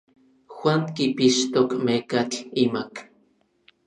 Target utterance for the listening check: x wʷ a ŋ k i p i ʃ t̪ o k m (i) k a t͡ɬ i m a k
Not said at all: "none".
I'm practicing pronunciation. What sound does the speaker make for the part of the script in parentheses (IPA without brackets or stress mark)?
e